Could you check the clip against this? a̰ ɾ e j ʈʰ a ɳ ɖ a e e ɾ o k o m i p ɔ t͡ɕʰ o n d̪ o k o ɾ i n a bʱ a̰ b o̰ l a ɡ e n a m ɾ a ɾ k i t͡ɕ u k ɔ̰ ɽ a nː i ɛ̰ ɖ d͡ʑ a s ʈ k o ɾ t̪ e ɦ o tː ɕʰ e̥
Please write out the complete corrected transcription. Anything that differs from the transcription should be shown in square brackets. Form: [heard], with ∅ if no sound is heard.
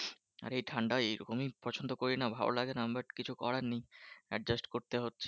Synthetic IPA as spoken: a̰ ɾ e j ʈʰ a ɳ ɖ a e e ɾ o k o m i p ɔ t͡ɕʰ o n d̪ o k o ɾ i n a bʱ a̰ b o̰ l a ɡ e n a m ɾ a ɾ k i [t͡ɕʰ] u k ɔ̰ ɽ a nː i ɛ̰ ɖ d͡ʑ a s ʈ k o ɾ t̪ e ɦ o tː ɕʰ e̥